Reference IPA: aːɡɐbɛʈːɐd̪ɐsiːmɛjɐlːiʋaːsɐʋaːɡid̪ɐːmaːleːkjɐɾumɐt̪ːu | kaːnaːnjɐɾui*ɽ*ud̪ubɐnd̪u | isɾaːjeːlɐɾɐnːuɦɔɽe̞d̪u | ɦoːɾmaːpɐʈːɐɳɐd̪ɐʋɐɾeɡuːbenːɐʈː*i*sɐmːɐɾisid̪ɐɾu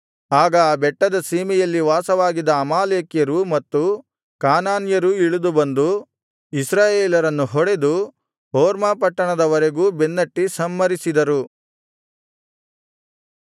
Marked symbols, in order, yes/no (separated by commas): no, yes